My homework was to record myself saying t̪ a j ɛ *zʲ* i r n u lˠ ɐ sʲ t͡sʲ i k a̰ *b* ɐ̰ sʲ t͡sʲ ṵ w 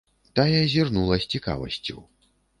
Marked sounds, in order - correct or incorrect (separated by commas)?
correct, incorrect